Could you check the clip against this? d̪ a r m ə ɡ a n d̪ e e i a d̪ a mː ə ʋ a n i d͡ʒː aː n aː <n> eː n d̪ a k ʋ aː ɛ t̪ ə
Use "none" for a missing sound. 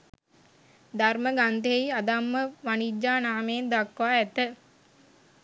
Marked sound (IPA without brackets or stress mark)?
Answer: m